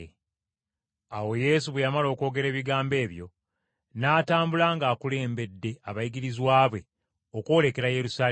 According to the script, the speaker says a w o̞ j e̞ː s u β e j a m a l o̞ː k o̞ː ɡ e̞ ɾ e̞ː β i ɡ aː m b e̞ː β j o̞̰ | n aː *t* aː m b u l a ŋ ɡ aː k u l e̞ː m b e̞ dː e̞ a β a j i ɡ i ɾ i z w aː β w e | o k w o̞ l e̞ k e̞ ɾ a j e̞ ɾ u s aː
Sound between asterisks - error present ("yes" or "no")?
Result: no